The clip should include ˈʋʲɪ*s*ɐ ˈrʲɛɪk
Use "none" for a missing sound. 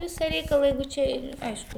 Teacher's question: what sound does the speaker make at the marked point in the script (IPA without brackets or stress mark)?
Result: s